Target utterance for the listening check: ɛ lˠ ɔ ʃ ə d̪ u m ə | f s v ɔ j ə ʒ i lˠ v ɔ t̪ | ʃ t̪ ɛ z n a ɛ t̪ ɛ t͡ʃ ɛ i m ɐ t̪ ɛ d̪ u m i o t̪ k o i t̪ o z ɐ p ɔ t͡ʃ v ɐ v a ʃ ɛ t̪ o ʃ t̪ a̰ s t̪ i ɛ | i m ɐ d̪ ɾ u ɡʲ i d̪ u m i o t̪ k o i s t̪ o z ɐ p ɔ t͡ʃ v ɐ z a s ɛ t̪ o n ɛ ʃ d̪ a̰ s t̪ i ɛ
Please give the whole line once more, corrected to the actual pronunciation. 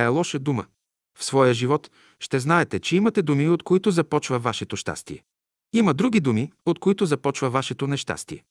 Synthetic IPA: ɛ lˠ ɔ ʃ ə d̪ u m ə | f s v ɔ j ə ʒ i v ɔ t̪ | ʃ t̪ ɛ z n a ɛ t̪ ɛ t͡ʃ ɛ i m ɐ t̪ ɛ d̪ u m i o t̪ k o i t̪ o z ɐ p ɔ t͡ʃ v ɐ v a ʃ ɛ t̪ o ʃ t̪ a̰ s t̪ i ɛ | i m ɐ d̪ ɾ u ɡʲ i d̪ u m i o t̪ k o i t̪ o z ɐ p ɔ t͡ʃ v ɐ v a ʃ ɛ t̪ o n ɛ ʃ t̪ a̰ s t̪ i ɛ